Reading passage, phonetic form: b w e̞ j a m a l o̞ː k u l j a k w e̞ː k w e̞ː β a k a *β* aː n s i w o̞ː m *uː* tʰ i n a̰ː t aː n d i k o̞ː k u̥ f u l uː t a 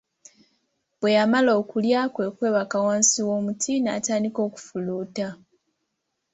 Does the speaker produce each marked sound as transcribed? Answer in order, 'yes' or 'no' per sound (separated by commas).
no, no